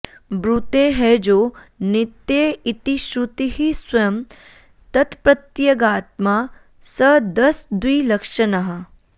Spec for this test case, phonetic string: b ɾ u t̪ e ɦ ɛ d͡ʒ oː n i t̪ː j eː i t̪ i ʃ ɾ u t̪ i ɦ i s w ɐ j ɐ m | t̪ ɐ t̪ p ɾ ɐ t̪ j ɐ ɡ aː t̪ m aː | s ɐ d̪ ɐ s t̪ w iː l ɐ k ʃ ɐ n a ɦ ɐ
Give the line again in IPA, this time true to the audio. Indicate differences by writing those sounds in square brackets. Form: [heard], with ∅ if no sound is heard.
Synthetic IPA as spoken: b ɾ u t̪ e ɦ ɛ d͡ʒ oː n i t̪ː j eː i t̪ i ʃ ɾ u t̪ i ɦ i s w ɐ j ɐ m | t̪ ɐ t̪ p ɾ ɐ t̪ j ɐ ɡ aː t̪ m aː | s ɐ d̪ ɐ s [d̪] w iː l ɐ k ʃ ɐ n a ɦ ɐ